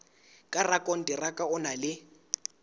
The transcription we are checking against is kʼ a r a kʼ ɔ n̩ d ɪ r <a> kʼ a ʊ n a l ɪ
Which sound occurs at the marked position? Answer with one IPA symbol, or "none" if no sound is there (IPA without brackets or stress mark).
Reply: a